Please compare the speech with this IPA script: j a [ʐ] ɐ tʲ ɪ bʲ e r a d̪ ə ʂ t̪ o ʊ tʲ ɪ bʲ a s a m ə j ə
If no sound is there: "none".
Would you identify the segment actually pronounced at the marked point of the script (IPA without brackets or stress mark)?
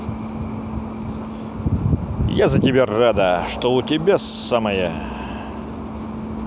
z